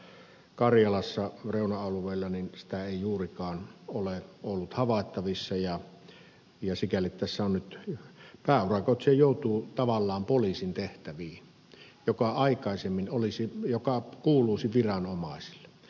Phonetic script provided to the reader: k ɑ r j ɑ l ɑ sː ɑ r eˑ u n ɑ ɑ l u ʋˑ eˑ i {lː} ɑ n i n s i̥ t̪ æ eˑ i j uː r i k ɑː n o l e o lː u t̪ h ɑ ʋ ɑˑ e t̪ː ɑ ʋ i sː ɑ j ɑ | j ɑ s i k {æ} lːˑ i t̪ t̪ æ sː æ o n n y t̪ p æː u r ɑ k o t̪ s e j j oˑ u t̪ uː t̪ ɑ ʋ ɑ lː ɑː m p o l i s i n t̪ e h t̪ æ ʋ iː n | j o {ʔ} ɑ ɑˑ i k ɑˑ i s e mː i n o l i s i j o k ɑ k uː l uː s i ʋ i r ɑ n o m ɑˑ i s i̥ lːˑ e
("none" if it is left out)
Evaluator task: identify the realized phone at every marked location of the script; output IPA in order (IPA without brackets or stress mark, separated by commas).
lː, æ, k